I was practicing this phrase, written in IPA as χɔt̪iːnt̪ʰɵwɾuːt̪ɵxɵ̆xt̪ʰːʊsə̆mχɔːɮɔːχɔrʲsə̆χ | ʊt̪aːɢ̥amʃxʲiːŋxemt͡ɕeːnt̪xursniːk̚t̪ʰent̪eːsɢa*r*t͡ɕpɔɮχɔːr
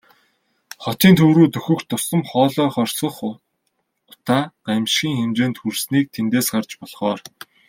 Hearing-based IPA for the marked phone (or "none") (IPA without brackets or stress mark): r